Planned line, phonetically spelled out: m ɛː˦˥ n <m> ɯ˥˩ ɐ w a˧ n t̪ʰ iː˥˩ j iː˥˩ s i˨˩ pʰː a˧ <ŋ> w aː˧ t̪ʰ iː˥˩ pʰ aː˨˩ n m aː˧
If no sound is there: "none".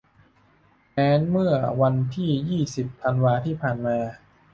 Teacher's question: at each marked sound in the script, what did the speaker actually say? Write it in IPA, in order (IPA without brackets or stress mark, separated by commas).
m, n